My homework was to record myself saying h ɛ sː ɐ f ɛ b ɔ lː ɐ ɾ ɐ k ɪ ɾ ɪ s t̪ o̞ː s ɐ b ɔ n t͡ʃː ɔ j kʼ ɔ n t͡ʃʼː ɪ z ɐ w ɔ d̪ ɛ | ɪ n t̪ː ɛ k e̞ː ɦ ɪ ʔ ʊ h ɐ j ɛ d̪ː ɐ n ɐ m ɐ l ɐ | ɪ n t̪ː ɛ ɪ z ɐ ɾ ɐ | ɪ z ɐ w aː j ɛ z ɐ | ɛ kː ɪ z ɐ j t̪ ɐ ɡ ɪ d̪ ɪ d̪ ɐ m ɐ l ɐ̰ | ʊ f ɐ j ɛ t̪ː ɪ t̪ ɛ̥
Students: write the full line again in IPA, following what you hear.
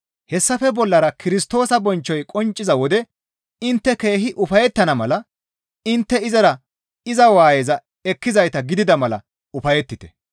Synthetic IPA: h ɛ sː ɐ f ɛ b ɔ lː ɐ ɾ ɐ k ɪ ɾ ɪ s t̪ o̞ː s ɐ b ɔ n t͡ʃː ɔ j kʼ ɔ n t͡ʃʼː ɪ z ɐ w ɔ d̪ ɛ | ɪ n t̪ː ɛ k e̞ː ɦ ɪ ʔ ʊ f ɐ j ɛ t̪ː ɐ n ɐ m ɐ l ɐ | ɪ n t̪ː ɛ ɪ z ɐ ɾ ɐ | ɪ z ɐ w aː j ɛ z ɐ | ɛ kː ɪ z ɐ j t̪ ɐ ɡ ɪ d̪ ɪ d̪ ɐ m ɐ l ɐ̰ | ʊ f ɐ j ɛ t̪ː ɪ t̪ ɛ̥

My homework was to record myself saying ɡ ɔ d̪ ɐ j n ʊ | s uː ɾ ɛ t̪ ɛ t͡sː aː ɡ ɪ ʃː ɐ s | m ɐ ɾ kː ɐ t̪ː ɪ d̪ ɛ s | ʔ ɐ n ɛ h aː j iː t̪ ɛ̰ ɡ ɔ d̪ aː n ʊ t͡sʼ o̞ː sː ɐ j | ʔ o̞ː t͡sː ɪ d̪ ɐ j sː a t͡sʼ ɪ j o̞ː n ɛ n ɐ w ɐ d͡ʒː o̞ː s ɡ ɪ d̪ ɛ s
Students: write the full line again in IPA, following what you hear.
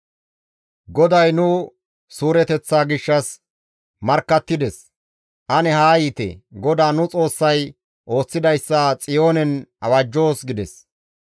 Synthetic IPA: ɡ ɔ d̪ ɐ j n ʊ | s uː ɾ ɛ t̪ ɛ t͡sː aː ɡ ɪ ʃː ɐ s | m ɐ ɾ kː ɐ t̪ː ɪ d̪ ɛ s | ʔ ɐ n ɛ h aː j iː t̪ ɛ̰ ɡ ɔ d̪ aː n ʊ t͡sʼ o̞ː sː ɐ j | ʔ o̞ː t͡sː ɪ d̪ ɐ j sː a t͡sʼ ɪ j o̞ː n ɛ n ɐ w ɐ d͡ʒː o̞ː s ɡ ɪ d̪ ɛ s

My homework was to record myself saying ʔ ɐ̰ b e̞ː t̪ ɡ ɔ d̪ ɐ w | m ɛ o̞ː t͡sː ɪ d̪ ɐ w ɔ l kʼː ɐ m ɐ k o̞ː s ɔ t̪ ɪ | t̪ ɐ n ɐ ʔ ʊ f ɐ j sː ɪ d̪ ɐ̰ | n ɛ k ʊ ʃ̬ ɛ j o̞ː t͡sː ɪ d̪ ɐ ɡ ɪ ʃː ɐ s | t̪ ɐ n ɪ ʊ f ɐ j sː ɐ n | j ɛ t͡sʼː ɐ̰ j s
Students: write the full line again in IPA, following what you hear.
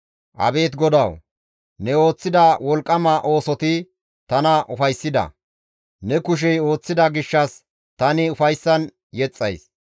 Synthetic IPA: ʔ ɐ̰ b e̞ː t̪ ɡ ɔ d̪ ɐ w | n ɛ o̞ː t͡sː ɪ d̪ ɐ w ɔ l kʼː ɐ m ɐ ʔ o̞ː s ɔ t̪ ɪ | t̪ ɐ n ɐ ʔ ʊ f ɐ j sː ɪ d̪ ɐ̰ | n ɛ k ʊ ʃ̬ ɛ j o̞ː t͡sː ɪ d̪ ɐ ɡ ɪ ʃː ɐ s | t̪ ɐ n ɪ ʊ f ɐ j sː ɐ n | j ɛ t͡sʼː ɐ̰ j s

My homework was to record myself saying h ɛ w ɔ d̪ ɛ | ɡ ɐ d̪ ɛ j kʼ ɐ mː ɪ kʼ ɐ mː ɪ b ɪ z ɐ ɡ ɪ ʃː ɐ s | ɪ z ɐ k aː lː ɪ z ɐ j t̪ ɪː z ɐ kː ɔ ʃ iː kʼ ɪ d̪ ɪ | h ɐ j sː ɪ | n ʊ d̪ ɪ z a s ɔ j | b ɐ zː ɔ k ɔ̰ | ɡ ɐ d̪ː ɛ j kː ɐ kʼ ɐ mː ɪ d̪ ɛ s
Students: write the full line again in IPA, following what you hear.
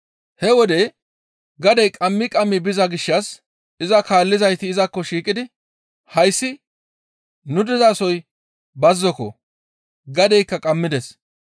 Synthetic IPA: h ɛ w ɔ d̪ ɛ | ɡ ɐ d̪ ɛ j kʼ ɐ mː ɪ kʼ ɐ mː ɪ b ɪ z ɐ ɡ ɪ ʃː ɐ s | ɪ z ɐ k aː lː ɪ z ɐ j t̪ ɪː z ɐ kː ɔ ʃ iː kʼ ɪ d̪ ɪ | h ɐ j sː ɪ | n ʊ d̪ ɪ z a s ɔ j | b ɐ zː ɔ k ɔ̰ | ɡ ɐ d̪ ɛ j kː ɐ kʼ ɐ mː ɪ d̪ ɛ s

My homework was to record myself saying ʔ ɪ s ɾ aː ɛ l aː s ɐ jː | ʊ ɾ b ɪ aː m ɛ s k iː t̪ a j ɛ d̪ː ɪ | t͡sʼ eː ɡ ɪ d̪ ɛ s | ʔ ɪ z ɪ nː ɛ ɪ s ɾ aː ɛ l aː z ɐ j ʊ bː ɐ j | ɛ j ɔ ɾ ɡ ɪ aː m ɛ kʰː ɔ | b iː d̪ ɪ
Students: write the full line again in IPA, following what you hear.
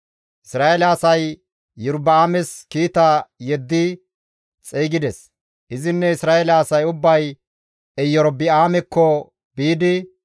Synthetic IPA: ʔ ɪ s ɾ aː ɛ l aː s ɐ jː | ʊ ɾ b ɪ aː m ɛ s k iː t̪ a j ɛ d̪ː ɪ | t͡sʼ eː ɡ ɪ d̪ ɛ s | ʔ ɪ z ɪ nː ɛ ɪ s ɾ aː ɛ l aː s ɐ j ʊ bː ɐ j | ɛ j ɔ ɾ b ɪ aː m ɛ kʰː ɔ | b iː d̪ ɪ

